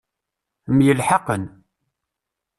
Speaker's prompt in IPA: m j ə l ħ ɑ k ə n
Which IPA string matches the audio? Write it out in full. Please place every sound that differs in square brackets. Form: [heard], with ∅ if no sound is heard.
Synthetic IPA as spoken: m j ə l ħ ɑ [q] ə n